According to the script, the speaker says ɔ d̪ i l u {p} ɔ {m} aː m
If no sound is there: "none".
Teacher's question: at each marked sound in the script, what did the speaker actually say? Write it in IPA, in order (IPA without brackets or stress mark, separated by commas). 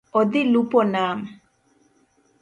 p, n